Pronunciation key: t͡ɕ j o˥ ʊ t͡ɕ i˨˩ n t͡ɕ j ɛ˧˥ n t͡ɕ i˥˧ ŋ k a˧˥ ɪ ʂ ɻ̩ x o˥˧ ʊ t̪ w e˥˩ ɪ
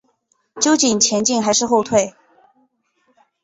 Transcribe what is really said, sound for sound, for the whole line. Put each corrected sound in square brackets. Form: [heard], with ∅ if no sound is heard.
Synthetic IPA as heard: t͡ɕ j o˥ ʊ t͡ɕ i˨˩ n [t͡ɕʰ] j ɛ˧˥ n t͡ɕ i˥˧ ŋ [x] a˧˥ ɪ ʂ ɻ̩ x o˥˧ ʊ [t̪ʰ] w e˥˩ ɪ